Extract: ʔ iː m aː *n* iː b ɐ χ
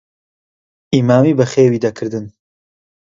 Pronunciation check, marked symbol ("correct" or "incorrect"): incorrect